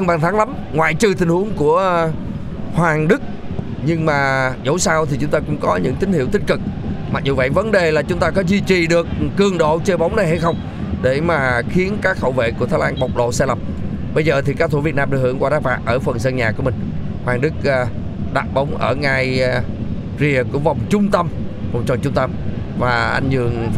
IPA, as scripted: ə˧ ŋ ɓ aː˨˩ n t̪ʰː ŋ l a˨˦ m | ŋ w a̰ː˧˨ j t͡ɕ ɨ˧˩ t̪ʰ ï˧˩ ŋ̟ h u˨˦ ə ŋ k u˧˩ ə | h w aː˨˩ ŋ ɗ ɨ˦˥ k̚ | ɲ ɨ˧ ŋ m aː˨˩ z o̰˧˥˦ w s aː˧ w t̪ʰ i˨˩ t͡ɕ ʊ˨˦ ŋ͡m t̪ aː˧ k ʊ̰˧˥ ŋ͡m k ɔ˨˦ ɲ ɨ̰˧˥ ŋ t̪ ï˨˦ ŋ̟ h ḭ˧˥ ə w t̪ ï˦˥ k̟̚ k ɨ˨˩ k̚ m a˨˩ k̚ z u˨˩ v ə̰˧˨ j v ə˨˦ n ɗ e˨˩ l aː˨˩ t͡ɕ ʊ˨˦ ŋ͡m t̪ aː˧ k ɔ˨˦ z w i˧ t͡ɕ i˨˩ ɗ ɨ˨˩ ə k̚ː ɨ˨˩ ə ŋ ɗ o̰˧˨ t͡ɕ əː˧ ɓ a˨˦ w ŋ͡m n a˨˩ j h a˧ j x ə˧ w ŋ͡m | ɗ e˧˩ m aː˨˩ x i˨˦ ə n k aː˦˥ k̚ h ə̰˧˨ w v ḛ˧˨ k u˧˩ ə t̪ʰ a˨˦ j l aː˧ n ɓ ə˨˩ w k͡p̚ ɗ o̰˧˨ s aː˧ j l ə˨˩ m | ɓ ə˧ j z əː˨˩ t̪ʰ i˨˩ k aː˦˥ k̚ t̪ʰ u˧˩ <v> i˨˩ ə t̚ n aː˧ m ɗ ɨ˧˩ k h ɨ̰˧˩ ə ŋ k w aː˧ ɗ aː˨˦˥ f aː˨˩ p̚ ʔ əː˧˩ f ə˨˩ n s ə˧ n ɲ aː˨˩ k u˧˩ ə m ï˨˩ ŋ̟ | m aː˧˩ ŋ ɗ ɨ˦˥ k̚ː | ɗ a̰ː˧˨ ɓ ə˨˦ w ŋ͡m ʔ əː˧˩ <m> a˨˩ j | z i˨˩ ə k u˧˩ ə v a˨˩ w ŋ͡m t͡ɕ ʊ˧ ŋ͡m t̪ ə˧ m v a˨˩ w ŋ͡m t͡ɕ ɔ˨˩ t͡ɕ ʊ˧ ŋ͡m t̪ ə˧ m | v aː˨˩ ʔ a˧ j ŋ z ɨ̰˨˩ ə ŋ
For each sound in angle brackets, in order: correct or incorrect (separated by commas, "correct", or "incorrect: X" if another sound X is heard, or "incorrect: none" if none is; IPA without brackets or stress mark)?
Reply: correct, incorrect: ŋ